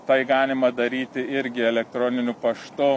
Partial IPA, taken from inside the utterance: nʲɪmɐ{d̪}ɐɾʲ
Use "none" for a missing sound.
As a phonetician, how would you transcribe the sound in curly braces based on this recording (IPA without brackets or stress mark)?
d̪